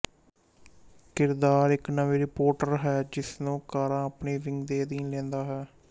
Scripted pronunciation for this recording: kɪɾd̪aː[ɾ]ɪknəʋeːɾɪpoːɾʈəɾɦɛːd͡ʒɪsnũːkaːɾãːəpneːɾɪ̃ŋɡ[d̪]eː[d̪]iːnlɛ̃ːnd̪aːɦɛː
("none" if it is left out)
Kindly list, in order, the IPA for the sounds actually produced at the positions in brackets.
ɾ, d̪, d̪

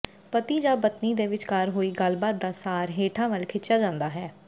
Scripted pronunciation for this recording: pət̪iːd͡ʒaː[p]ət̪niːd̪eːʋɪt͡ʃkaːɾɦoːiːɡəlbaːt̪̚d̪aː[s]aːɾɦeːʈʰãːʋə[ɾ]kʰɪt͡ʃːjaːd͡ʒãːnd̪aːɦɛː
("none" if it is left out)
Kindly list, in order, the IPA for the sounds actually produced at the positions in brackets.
b, s, l

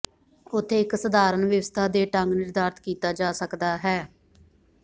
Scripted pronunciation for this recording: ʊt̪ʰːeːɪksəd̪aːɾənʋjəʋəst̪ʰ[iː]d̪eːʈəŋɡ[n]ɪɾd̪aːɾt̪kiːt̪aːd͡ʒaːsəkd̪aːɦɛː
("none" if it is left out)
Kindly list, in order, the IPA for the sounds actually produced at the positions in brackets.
aː, n

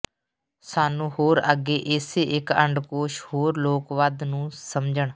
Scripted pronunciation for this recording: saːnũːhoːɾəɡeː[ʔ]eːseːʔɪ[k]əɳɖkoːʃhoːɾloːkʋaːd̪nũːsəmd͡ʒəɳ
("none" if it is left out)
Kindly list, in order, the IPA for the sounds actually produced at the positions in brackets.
ʔ, k

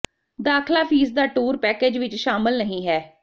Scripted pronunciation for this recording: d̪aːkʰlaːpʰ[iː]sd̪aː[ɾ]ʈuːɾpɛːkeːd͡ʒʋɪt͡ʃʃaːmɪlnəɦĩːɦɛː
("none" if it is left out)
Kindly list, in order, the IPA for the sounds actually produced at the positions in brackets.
iː, none

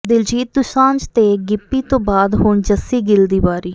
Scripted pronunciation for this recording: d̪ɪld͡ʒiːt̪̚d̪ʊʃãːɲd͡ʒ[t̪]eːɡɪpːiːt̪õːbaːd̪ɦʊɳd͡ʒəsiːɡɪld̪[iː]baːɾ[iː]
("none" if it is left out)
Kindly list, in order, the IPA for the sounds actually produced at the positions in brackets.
t̪, iː, iː

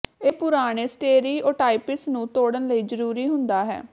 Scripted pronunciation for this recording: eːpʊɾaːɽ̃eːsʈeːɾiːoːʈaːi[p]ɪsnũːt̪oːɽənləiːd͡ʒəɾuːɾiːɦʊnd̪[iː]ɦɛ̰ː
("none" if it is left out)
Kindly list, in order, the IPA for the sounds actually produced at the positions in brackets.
p, aː

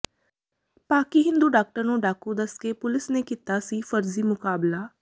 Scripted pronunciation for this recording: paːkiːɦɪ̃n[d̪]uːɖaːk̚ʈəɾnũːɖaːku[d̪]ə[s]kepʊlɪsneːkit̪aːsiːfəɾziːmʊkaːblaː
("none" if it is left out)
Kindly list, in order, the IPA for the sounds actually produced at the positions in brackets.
d̪, d̪, s

